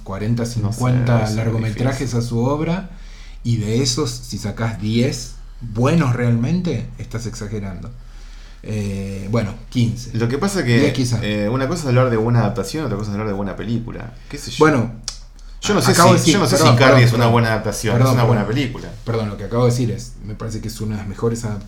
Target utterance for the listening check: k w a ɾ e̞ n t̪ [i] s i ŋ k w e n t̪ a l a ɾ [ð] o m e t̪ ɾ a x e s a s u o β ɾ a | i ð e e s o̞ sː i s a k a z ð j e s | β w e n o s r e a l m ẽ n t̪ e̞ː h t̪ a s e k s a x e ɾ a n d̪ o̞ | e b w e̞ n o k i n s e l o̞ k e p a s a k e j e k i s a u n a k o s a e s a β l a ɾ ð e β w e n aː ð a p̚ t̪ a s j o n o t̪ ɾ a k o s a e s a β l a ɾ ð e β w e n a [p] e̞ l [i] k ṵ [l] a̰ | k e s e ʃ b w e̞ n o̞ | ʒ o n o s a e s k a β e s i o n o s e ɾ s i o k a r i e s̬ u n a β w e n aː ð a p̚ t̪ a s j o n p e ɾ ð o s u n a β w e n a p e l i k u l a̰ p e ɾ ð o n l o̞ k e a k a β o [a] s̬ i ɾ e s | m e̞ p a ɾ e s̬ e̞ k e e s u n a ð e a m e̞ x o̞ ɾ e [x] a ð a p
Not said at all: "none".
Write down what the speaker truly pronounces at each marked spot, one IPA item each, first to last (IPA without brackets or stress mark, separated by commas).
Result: a, ɣ, p, i, l, e, s